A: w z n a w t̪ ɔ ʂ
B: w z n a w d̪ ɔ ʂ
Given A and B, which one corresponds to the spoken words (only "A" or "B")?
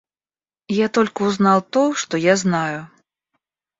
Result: A